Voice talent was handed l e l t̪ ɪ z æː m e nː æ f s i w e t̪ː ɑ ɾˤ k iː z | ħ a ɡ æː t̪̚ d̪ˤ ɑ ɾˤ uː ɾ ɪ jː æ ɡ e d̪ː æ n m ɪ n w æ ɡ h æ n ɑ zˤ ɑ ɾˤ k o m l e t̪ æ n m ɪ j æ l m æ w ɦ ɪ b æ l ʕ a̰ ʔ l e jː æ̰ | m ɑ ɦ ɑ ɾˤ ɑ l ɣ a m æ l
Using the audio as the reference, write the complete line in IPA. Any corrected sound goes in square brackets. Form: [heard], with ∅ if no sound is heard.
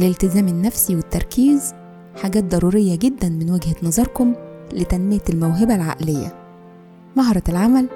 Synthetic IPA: l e l t̪ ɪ z æː m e nː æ f s i w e t̪ː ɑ ɾˤ k iː z | ħ a ɡ æː t̪̚ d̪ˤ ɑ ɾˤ uː ɾ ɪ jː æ ɡ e d̪ː æ n m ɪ n w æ ɡ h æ n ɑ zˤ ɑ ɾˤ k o m l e t̪ æ n m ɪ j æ l m æ w ɦ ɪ b æ l ʕ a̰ ʔ l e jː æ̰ | m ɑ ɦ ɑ ɾˤ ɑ l [ʕ] a m æ l